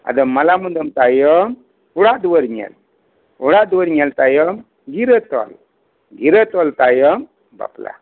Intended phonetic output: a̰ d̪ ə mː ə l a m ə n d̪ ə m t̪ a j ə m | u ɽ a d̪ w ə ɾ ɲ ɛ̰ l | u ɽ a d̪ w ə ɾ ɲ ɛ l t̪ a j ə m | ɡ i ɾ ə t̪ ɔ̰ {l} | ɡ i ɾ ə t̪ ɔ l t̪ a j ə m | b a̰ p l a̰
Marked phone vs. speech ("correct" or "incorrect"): correct